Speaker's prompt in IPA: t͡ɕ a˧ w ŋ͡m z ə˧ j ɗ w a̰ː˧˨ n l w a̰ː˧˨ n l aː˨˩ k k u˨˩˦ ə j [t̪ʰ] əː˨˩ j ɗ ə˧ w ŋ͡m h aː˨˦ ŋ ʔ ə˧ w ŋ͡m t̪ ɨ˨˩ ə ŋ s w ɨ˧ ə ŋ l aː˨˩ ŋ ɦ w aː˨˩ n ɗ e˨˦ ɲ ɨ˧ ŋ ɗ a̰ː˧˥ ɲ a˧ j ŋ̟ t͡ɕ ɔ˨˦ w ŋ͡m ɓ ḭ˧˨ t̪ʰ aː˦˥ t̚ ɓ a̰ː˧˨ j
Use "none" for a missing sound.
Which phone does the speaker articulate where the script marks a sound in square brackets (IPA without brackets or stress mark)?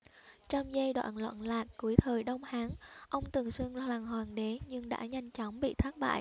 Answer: t̪ʰ